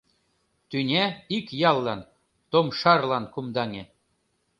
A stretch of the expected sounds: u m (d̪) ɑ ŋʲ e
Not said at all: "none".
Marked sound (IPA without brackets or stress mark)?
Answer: d̪